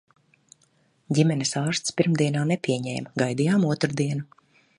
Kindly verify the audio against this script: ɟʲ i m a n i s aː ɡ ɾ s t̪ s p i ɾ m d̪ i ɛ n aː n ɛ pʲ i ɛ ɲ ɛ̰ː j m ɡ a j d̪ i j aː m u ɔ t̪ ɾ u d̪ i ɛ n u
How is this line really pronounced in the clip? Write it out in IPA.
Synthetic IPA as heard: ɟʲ i m ɛ n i s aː ɾ s t̪ s p i ɾ m d̪ i ɛ n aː n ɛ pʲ i ɛ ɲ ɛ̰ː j m ɡ a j d̪ i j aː m u ɔ t̪ ɾ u d̪ i ɛ n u